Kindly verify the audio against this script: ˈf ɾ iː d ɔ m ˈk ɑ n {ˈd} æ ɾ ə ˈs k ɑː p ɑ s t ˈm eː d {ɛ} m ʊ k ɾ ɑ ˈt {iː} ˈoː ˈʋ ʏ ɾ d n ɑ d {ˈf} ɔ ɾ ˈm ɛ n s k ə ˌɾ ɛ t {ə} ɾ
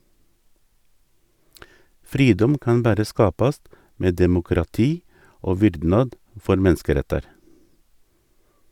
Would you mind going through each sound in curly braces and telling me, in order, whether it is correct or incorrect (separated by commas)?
incorrect, correct, correct, correct, incorrect